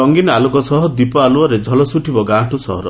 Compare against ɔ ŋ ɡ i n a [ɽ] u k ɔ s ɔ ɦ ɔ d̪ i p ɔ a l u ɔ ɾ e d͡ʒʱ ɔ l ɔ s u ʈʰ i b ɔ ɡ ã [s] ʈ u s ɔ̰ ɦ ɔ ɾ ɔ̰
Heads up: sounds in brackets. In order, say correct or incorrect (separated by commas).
incorrect, incorrect